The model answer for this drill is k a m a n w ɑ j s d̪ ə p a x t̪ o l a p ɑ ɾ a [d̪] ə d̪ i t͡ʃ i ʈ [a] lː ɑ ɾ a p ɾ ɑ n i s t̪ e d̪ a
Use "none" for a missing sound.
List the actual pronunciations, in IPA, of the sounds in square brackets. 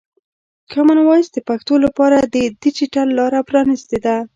d̪, a

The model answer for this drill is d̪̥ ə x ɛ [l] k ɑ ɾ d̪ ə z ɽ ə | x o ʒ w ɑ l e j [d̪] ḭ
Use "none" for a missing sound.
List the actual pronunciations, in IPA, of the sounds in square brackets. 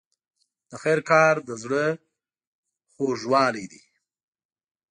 ɾ, d̪

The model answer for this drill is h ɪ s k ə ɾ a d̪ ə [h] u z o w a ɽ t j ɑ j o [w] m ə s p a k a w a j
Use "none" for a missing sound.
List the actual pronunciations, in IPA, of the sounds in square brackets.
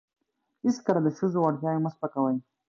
ʃ, none

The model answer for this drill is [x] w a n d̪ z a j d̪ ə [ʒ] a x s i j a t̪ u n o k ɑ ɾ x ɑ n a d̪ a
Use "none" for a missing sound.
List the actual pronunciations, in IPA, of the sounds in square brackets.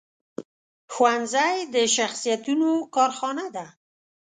x, ʃ

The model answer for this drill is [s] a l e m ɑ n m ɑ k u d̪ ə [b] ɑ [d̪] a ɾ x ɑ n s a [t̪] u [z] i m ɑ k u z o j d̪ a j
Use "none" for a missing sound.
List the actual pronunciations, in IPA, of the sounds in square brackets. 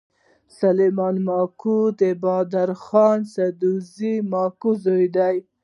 s, b, d̪, d̪, z

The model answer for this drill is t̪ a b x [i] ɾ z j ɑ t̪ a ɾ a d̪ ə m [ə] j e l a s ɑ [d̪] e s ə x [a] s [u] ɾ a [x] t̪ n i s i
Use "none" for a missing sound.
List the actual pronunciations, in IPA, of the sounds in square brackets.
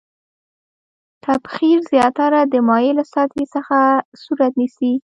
i, ɑ, t̪, a, u, none

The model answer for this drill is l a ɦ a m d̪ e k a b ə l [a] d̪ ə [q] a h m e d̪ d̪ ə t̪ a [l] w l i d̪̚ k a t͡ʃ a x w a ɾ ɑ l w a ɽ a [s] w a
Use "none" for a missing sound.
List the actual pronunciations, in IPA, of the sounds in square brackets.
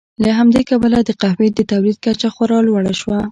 a, q, none, ʃ

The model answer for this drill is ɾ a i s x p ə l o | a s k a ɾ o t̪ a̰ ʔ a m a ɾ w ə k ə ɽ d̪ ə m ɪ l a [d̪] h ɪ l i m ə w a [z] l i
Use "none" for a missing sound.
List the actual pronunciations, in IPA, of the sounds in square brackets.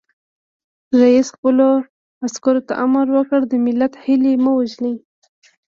t̪, ʒ

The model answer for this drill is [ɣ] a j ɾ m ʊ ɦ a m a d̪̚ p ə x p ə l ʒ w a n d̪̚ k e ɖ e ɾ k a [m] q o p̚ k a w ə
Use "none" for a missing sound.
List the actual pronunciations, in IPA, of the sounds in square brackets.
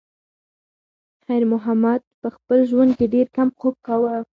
x, m

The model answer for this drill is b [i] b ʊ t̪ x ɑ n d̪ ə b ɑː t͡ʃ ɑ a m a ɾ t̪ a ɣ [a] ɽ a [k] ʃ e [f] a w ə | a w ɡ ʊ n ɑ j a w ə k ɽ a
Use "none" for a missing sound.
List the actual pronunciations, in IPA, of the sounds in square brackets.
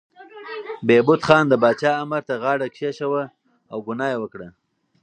e, ɑ, k, ʃ

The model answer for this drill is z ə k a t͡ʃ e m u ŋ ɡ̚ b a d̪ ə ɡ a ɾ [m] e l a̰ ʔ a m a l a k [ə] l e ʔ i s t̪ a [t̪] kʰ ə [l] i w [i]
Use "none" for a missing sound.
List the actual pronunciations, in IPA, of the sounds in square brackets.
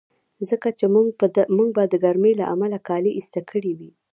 m, ɑ, none, ɽ, i

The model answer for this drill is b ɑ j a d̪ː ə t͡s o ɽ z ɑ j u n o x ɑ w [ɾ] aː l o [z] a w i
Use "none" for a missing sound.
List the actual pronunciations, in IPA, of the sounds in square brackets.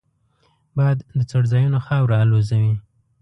ɾ, z

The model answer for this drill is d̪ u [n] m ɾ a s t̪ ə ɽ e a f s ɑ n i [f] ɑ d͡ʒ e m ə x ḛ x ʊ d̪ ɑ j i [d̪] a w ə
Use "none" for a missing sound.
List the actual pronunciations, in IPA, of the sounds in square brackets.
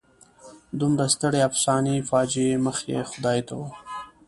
none, f, t̪

